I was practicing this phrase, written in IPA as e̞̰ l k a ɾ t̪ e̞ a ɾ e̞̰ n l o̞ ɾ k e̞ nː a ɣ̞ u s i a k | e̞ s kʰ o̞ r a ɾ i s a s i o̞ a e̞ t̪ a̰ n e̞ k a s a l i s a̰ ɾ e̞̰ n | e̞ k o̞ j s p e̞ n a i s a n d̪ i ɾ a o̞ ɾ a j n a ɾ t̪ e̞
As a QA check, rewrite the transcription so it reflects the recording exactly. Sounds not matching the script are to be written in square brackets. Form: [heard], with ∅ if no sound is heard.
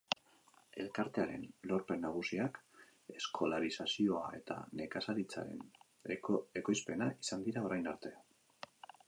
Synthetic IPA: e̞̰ l k a ɾ t̪ e̞ a ɾ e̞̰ n l o̞ ɾ [p] e̞ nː a ɣ̞ u s i a k | e̞ s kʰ o̞ [l] a ɾ i s a s i o̞ a e̞ t̪ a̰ n e̞ k a s a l i [t͡s] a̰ ɾ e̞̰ n | e̞ k o̞ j s p e̞ n a i s a n d̪ i ɾ a o̞ ɾ a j n a ɾ t̪ e̞